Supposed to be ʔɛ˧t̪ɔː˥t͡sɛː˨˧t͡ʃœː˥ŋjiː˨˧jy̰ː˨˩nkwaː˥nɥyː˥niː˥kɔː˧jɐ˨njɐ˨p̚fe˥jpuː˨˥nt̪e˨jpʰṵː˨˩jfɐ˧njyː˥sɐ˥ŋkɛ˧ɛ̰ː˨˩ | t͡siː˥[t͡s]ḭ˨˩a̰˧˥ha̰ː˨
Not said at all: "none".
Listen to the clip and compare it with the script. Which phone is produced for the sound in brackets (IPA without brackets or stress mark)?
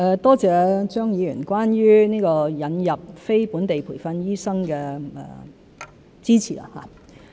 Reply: t͡sʰ